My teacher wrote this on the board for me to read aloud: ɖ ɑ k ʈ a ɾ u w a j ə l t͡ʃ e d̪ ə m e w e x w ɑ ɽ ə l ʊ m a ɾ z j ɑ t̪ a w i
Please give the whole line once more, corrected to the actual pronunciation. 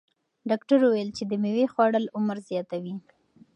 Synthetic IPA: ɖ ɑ k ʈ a ɾ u w a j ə l t͡ʃ e d̪ ə m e w e x w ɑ ɽ ə l ʊ m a ɾ z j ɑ t̪ a w i